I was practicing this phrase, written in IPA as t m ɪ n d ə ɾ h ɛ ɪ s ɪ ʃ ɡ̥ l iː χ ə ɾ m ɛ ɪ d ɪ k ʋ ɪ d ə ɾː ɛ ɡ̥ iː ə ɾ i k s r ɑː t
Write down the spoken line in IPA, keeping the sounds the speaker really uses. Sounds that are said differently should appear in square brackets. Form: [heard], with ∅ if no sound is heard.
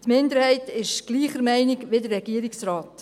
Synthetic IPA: t m ɪ n d ə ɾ h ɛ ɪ [t] ɪ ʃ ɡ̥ l iː χ ə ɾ m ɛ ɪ [n] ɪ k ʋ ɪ d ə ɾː ɛ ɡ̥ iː ə ɾ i k s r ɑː t